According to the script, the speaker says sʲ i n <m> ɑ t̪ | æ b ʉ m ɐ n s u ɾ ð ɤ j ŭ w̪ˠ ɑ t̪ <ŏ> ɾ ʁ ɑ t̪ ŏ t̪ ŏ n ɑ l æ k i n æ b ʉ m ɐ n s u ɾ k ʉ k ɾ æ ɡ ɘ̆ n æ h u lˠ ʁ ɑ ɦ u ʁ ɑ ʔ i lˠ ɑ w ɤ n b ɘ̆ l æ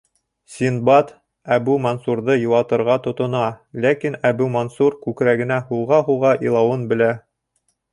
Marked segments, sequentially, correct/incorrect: incorrect: b, incorrect: ɤ̆

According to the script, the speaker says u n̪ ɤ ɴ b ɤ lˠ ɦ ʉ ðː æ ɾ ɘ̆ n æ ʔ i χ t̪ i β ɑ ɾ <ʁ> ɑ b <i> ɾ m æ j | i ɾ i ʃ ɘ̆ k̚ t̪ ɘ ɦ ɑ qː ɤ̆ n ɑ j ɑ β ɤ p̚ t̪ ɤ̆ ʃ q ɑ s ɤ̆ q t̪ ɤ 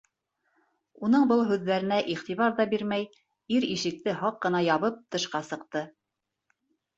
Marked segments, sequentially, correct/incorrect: incorrect: ð, correct

